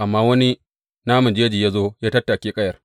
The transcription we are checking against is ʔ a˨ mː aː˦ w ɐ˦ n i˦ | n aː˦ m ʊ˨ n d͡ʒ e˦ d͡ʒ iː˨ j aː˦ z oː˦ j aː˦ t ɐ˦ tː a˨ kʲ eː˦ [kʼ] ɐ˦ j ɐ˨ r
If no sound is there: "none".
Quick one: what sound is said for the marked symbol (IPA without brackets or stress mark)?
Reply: kʼ